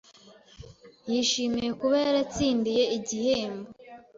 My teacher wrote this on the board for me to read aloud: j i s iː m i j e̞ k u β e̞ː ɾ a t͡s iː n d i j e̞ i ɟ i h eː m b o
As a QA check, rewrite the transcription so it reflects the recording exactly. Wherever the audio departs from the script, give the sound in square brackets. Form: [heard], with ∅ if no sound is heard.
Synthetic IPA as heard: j i [ʃ] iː m i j e̞ k u β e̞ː ɾ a t͡s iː n d i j e̞ i ɟ i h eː m b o